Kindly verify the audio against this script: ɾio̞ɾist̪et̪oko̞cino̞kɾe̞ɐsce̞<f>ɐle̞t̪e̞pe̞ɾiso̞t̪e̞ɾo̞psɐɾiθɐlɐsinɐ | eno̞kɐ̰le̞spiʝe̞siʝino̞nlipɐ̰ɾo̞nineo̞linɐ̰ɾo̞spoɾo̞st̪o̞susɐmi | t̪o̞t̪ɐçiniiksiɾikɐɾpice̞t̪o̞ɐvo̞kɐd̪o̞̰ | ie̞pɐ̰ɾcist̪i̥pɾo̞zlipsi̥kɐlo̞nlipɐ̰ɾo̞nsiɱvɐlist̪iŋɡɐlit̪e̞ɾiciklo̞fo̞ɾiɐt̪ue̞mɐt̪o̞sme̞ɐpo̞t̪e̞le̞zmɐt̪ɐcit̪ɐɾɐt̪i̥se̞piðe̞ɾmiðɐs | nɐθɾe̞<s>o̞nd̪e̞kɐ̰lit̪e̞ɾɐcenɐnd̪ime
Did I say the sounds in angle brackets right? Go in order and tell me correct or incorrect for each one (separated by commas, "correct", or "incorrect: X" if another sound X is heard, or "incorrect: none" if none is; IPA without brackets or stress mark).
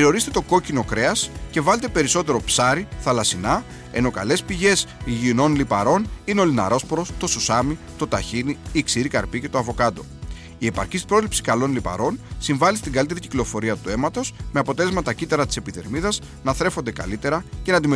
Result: incorrect: v, incorrect: f